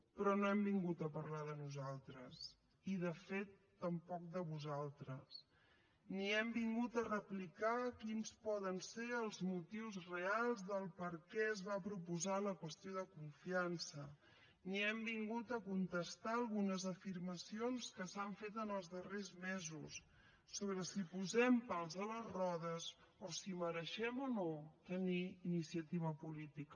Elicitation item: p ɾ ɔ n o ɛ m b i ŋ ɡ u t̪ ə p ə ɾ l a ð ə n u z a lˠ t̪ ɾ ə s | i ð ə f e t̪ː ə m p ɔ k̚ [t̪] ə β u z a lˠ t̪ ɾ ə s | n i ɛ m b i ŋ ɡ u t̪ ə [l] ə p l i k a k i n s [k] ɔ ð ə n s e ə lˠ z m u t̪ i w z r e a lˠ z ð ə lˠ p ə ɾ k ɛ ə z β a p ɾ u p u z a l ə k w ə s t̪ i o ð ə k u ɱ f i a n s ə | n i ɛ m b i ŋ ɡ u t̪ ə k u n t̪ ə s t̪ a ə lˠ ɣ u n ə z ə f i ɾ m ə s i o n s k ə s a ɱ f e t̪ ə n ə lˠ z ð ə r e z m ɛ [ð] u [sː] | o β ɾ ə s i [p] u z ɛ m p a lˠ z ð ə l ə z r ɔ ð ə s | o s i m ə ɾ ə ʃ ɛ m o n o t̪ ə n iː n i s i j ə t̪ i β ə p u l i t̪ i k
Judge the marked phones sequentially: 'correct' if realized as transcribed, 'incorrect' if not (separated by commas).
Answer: incorrect, incorrect, incorrect, incorrect, correct, correct